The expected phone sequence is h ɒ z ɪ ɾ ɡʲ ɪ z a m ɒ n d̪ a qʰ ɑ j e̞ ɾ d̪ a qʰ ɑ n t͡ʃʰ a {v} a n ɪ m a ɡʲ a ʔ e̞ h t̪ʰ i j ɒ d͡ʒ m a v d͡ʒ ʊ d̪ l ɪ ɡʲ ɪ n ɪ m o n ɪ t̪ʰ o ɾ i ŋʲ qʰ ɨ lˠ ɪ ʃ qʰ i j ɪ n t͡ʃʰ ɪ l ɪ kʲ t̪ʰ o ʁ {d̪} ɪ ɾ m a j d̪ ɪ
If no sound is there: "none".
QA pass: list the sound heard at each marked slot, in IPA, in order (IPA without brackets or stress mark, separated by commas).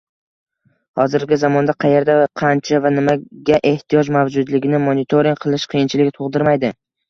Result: v, d̪